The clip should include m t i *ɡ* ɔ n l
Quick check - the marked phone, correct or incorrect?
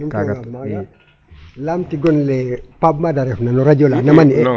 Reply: correct